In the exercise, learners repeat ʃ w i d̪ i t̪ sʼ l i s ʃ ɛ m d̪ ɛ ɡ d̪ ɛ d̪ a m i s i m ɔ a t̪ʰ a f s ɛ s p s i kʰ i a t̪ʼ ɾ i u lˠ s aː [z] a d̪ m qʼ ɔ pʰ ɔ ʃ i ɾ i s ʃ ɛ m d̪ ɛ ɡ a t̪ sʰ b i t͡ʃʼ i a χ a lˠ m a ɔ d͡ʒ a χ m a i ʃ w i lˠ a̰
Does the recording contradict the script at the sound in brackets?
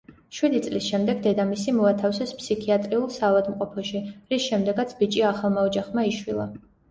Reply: yes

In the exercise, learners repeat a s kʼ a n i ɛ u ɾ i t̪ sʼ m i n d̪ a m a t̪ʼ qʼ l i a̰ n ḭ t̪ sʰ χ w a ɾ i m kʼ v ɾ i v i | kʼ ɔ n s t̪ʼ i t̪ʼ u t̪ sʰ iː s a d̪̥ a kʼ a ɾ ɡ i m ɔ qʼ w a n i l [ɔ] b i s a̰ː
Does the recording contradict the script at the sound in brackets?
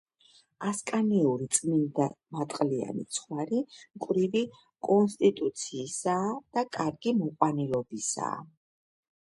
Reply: no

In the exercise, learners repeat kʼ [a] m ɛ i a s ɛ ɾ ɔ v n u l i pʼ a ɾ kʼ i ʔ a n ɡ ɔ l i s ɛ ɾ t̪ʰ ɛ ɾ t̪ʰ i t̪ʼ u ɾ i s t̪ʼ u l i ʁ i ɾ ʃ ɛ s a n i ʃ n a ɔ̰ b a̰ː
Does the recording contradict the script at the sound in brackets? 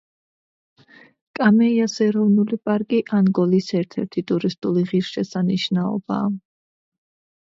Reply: no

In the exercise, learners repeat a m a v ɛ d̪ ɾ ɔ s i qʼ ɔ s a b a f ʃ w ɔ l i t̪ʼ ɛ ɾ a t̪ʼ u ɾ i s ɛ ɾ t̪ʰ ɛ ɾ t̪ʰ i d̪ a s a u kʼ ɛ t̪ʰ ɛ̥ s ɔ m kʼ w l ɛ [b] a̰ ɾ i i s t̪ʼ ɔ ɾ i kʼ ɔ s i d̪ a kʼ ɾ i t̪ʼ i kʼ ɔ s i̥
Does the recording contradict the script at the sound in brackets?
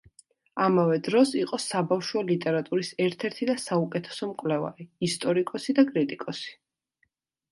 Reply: yes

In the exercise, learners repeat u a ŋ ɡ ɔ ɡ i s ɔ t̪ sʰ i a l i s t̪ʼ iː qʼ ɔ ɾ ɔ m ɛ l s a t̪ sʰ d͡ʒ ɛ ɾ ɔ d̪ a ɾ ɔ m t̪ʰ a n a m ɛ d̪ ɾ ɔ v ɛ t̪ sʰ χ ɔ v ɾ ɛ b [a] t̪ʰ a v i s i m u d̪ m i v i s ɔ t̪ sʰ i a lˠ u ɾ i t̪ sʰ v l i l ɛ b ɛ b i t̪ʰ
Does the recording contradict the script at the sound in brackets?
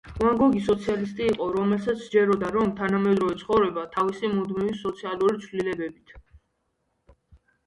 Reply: no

